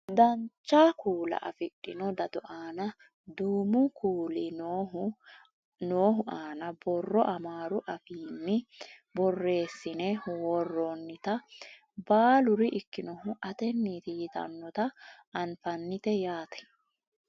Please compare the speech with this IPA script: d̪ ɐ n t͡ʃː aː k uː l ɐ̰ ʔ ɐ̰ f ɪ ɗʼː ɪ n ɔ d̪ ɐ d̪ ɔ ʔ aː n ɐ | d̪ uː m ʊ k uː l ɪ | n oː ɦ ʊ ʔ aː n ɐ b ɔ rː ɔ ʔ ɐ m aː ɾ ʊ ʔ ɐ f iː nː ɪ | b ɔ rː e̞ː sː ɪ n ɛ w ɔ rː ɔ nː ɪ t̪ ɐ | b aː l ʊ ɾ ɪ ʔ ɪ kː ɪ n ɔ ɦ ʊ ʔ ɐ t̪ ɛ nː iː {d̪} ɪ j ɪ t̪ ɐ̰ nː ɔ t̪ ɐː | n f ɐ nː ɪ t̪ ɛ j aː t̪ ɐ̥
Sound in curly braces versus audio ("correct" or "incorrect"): incorrect